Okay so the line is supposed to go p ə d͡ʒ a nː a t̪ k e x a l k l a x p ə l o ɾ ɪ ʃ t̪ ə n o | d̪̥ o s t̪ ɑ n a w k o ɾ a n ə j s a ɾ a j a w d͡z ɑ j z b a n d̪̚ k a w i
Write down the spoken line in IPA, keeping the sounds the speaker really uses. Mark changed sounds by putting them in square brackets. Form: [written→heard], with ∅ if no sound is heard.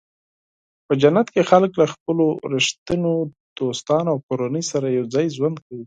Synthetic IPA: p ə d͡ʒ a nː a t̪ k e x a l k l a x p ə l o ɾ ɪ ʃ t̪ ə n o | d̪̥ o s t̪ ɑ n a w k o ɾ a n ə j s a ɾ a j a w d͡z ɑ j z [b→w] a n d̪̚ k a w i